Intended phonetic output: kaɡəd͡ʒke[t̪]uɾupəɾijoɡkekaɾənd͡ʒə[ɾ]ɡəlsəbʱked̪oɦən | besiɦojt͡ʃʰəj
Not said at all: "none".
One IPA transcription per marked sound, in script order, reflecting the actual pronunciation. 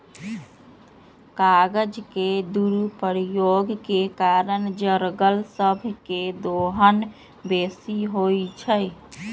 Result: d̪, ɾ

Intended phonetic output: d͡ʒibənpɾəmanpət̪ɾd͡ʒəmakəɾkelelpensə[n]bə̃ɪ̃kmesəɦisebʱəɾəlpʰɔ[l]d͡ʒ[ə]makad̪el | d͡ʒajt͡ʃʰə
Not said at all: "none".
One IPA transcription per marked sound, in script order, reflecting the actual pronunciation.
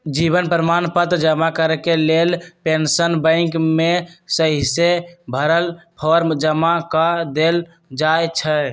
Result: n, ɾ, ə

